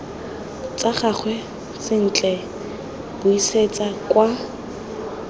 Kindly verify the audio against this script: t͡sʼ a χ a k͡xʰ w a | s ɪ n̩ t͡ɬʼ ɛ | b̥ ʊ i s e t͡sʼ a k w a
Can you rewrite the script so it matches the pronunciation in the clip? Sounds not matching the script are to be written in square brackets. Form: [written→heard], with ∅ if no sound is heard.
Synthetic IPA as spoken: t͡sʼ a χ a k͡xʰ w [a→ɛ] | s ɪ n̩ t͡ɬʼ ɛ | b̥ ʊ i s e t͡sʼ a k w a